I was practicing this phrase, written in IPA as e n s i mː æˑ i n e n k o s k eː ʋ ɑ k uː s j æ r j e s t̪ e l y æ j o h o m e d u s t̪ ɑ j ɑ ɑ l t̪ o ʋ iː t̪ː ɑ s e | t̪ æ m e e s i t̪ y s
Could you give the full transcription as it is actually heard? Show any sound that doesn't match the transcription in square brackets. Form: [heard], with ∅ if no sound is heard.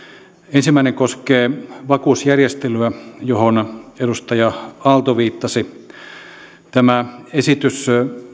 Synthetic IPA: e n s i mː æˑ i n e [ŋ] k o s k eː ʋ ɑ k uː s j æ r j e s t̪ e l y æ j o h o [n] e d u s t̪ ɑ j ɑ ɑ l t̪ o ʋ iː t̪ː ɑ s [i] | t̪ æ m [æ] e s i t̪ y s